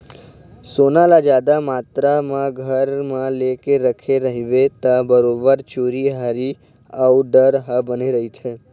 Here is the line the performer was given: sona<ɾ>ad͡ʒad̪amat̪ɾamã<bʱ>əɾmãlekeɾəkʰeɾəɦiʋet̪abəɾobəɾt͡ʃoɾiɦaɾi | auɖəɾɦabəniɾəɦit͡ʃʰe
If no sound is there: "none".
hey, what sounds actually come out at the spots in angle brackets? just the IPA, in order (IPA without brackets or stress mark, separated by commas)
l, ɡʱ